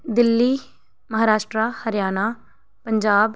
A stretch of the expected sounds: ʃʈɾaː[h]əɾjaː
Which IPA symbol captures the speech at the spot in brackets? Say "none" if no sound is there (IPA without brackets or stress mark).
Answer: h